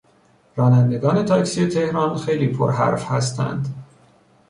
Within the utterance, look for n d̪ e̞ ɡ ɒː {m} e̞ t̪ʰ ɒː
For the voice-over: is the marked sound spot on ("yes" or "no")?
no